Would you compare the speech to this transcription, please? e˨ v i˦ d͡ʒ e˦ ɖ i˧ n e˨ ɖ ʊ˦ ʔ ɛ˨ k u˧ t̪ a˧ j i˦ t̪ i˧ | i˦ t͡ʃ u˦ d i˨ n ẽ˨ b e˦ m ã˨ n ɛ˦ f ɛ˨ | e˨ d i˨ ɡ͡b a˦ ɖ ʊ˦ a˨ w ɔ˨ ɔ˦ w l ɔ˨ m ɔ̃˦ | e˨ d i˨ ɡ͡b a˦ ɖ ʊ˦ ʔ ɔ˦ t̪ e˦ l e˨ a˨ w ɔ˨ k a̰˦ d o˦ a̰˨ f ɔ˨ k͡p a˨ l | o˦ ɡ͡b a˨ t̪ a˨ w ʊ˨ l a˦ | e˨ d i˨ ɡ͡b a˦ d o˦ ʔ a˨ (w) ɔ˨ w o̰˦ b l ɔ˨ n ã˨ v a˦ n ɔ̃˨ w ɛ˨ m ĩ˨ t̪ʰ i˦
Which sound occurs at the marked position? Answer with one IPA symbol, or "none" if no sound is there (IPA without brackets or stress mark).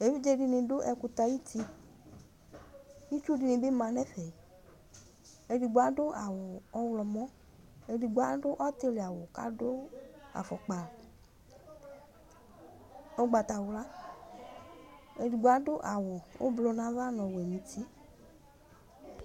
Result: w